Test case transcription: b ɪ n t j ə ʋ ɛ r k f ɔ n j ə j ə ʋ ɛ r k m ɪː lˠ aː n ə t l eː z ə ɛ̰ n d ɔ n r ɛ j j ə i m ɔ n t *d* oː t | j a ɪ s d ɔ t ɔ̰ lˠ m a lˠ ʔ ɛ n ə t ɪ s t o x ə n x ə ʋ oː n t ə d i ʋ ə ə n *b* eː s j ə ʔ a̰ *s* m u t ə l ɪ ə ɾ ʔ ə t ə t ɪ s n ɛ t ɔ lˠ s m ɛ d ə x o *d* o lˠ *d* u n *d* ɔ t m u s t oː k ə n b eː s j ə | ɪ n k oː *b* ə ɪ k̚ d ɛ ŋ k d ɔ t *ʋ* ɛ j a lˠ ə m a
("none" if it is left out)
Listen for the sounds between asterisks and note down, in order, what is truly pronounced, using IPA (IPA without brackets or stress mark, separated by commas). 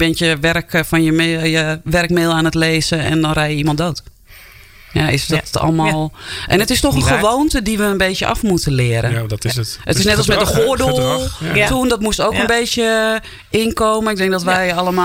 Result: d, b, f, d, t, d, m, ʋ